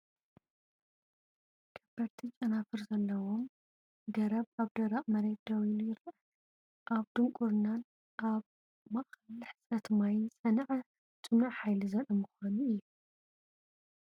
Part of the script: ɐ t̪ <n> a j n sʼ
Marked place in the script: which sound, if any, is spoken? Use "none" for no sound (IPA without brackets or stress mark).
m